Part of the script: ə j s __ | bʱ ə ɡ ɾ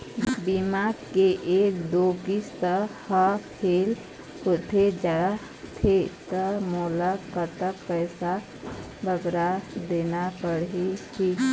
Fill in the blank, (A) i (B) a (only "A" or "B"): B